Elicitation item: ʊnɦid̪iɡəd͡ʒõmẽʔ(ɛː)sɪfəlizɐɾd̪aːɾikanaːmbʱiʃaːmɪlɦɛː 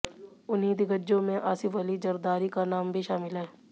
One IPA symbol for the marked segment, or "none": aː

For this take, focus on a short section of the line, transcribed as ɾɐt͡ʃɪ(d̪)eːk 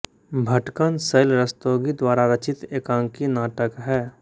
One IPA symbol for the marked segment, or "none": t̪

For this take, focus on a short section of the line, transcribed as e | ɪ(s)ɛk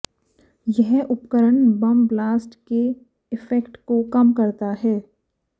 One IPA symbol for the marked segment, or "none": f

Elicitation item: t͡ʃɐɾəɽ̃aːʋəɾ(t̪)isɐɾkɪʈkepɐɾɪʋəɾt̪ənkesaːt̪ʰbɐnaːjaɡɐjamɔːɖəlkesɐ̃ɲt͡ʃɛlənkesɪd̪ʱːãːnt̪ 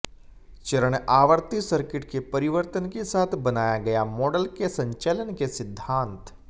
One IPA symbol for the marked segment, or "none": t̪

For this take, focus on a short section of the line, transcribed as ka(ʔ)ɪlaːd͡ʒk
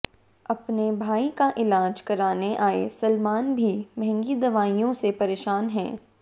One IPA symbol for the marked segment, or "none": ʔ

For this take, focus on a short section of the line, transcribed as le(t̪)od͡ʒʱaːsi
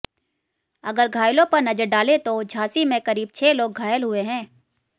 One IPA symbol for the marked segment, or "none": t̪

